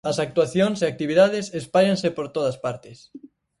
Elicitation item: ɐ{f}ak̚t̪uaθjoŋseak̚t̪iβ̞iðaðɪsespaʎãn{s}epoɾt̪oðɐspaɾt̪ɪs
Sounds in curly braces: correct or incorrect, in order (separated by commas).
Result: incorrect, correct